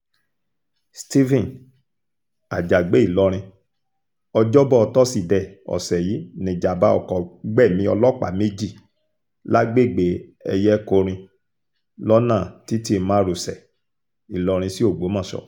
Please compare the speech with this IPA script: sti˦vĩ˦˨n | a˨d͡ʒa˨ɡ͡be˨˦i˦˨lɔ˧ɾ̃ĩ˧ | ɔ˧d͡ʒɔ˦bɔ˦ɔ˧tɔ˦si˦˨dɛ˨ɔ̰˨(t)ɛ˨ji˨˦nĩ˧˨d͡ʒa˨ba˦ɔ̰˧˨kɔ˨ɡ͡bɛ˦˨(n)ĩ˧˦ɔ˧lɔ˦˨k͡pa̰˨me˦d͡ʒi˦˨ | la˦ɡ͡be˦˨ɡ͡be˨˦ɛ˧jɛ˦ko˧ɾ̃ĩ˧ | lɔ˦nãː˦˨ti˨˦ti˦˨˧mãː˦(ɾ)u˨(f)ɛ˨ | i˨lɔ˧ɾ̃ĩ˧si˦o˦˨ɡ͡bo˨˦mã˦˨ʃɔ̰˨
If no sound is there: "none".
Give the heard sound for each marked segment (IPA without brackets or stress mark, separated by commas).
s, m, ɾ, s